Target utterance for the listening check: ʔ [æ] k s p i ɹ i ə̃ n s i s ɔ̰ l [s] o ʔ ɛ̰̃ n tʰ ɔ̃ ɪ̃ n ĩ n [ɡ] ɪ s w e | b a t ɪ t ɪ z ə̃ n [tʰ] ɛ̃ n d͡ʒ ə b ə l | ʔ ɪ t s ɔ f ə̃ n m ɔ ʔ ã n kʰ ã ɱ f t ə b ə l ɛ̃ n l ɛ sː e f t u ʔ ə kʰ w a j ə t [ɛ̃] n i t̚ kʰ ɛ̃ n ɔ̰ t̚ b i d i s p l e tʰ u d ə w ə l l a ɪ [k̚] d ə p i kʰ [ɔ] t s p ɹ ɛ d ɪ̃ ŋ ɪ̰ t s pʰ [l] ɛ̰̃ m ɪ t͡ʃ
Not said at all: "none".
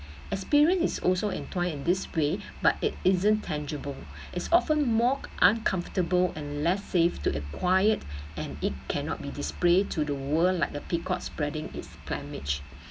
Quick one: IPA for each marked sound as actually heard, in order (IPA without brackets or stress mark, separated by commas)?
ɛ, s, d, tʰ, ɛ̃, k̚, ɔ, l